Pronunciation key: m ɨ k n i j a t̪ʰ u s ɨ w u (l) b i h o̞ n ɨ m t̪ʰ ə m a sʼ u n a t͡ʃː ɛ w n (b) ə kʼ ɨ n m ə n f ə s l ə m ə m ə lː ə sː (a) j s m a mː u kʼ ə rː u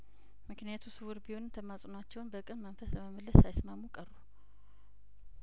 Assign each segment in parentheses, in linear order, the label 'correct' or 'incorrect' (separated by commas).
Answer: incorrect, correct, correct